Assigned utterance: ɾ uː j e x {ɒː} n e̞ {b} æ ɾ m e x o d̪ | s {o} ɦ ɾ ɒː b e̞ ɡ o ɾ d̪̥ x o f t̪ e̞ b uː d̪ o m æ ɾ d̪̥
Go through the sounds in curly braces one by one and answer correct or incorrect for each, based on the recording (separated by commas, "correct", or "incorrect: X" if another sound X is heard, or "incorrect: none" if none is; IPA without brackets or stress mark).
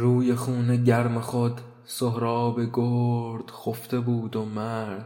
incorrect: uː, incorrect: ɟ, correct